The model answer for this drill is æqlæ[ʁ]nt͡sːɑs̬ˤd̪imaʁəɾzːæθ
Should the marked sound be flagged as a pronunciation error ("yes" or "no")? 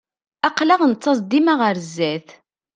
no